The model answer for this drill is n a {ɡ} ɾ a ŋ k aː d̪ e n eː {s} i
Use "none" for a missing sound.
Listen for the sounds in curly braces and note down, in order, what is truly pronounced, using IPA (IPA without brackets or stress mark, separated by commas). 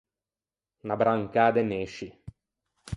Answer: b, ʃ